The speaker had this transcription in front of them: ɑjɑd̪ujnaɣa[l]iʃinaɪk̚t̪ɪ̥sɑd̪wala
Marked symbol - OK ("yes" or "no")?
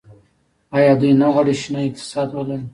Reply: no